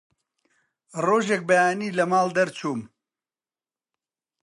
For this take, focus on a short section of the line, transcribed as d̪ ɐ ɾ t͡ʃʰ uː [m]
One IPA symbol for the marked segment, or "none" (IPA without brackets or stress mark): m